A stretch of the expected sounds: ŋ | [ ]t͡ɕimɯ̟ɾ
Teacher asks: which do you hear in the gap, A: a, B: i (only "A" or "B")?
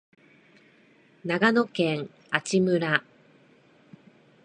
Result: A